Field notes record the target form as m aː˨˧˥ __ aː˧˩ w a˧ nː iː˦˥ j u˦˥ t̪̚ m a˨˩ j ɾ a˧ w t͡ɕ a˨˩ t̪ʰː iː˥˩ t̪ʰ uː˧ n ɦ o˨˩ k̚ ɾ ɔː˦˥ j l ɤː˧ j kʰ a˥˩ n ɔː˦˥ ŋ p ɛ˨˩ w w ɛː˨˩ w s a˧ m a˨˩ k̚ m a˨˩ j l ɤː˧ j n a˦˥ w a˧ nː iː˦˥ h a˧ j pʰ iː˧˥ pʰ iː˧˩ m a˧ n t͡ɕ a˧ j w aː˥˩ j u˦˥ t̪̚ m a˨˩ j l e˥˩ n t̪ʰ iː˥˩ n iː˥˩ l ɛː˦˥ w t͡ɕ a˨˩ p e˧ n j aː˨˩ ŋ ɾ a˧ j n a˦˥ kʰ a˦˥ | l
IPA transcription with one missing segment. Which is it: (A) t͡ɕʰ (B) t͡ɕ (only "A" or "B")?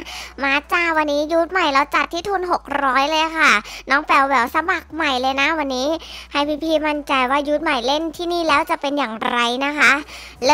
B